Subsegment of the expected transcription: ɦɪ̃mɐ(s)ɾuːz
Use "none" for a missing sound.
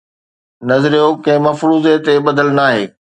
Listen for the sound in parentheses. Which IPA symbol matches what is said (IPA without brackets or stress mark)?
f